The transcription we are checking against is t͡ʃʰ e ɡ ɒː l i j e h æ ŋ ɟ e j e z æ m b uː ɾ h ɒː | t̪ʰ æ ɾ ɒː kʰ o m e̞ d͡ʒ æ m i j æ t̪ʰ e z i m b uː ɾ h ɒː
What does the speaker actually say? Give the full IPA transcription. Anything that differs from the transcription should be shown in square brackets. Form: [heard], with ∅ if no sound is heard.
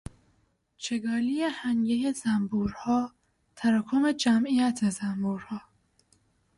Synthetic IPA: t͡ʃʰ e ɡ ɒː l i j e h æ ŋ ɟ e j e z æ m b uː ɾ h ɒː | t̪ʰ æ ɾ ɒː kʰ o m e̞ d͡ʒ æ m i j æ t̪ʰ e z [æ] m b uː ɾ h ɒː